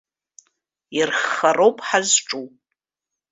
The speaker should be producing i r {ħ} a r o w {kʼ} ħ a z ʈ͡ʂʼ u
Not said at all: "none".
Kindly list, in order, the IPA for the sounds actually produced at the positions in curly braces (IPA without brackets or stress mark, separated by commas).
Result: χ, pʼ